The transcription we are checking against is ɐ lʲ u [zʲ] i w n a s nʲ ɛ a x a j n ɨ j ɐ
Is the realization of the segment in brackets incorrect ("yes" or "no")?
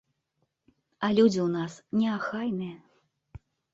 yes